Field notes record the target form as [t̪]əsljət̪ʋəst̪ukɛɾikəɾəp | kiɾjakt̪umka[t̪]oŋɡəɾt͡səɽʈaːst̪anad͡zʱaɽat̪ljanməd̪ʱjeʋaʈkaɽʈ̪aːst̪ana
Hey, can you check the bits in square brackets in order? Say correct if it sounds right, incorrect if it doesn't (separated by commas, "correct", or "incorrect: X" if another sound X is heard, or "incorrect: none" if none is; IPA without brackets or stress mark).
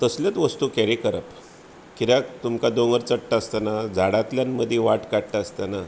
correct, incorrect: d̪